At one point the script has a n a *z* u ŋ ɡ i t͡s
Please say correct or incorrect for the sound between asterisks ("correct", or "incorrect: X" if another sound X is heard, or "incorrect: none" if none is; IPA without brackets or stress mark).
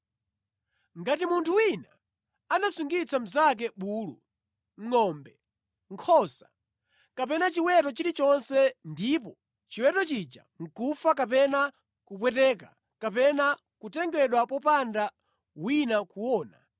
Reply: incorrect: s